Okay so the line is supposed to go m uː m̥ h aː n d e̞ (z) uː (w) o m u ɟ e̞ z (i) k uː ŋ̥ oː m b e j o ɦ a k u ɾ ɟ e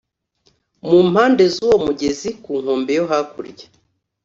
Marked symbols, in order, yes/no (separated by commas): yes, yes, yes